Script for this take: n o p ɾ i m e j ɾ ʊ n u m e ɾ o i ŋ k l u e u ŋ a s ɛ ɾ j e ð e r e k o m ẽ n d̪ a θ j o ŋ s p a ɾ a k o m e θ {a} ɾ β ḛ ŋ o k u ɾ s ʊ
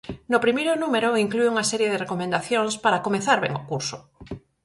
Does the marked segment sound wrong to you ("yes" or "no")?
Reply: no